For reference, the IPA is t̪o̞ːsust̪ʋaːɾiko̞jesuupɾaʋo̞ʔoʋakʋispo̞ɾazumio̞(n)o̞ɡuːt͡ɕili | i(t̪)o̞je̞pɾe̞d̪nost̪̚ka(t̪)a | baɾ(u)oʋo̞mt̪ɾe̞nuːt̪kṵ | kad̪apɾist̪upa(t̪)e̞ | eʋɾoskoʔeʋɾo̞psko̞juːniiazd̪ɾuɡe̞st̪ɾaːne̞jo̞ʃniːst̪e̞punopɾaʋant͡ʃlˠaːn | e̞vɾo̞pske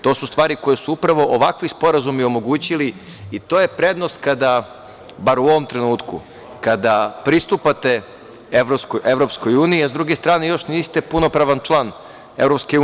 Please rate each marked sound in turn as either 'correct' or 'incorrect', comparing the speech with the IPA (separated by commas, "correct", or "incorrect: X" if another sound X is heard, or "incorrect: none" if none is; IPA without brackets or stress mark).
incorrect: m, correct, incorrect: d̪, correct, correct